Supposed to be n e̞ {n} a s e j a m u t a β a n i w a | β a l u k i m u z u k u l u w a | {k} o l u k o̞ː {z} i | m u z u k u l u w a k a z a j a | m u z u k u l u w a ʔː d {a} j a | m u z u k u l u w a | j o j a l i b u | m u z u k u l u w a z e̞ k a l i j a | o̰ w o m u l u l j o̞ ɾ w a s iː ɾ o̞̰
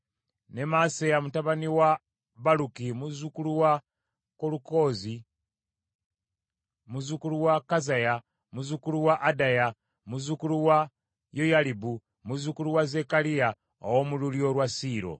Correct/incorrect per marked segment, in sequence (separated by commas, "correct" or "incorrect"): incorrect, correct, correct, correct